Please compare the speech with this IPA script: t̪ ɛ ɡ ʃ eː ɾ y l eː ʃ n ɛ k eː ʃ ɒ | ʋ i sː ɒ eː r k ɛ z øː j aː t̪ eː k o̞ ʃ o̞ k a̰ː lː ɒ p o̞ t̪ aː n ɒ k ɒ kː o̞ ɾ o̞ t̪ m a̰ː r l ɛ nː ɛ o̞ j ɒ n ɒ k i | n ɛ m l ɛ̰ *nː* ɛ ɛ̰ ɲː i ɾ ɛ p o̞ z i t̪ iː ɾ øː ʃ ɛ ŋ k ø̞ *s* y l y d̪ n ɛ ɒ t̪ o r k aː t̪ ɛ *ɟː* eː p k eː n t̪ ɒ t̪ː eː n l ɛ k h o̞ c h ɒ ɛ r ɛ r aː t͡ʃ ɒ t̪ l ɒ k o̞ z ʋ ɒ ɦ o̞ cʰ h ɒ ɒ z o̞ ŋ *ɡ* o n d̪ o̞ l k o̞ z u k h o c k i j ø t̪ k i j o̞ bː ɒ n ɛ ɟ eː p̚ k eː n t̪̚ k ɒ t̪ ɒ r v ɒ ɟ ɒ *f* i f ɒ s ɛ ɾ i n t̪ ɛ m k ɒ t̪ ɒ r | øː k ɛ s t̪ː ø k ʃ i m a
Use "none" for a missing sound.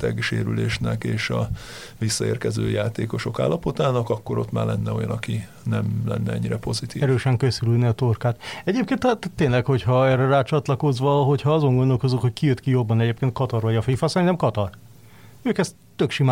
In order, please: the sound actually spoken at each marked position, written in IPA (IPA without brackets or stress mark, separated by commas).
nː, s, ɟ, ɡ, f